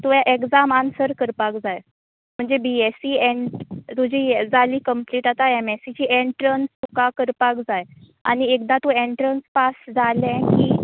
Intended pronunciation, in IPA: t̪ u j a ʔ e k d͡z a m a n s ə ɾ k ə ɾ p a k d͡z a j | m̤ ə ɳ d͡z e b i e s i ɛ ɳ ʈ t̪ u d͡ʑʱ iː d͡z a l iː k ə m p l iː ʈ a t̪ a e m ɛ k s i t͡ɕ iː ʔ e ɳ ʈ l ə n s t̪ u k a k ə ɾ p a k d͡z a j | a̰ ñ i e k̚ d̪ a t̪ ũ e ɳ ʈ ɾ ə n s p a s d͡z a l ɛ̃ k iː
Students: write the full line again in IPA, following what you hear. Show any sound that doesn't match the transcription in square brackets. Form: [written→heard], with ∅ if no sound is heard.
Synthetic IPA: t̪ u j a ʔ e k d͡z a m a n s ə ɾ k ə ɾ p a k d͡z a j | m̤ ə ɳ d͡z e b i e s i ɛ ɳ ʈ t̪ u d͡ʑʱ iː d͡z a l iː k ə m p l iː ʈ a t̪ a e m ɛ [k→∅] s i t͡ɕ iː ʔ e ɳ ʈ [l→ɾ] ə n s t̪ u k a k ə ɾ p a k d͡z a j | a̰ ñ i e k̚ d̪ a t̪ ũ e ɳ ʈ ɾ ə n s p a s d͡z a l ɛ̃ k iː